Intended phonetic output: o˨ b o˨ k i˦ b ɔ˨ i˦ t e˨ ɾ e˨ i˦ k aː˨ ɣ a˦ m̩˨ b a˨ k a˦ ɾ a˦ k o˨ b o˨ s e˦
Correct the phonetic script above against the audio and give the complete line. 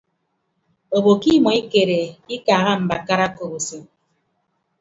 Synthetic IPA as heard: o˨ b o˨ k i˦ m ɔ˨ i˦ k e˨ ɾ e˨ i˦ k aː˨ ɣ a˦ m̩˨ b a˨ k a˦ ɾ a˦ k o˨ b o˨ s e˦